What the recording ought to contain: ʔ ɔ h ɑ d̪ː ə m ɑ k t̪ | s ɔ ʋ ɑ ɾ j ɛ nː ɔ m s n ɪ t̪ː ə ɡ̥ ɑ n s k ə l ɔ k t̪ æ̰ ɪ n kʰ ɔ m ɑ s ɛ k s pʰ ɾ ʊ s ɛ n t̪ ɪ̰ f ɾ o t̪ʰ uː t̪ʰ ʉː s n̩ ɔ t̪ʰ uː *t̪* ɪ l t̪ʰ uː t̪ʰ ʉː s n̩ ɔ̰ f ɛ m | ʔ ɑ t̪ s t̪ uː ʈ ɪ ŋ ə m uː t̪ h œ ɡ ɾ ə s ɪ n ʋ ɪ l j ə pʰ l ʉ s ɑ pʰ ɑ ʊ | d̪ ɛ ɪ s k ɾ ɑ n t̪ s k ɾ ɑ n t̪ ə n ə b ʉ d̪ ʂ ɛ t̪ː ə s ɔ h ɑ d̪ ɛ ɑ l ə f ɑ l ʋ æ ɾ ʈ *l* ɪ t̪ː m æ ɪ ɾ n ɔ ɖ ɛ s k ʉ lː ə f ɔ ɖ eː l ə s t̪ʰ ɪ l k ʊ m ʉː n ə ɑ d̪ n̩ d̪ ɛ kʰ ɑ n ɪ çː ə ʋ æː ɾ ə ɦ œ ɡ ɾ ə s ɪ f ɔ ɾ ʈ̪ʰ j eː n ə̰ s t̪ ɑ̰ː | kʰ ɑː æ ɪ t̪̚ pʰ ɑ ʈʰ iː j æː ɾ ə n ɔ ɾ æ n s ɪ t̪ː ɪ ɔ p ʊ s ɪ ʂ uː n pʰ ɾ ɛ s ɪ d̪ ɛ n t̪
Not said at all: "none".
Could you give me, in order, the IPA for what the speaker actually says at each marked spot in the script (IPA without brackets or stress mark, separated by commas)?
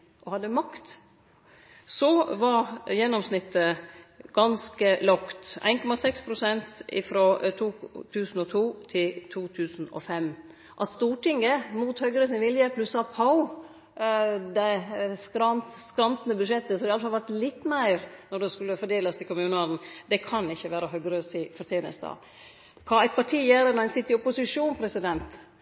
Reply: t̪ʰ, l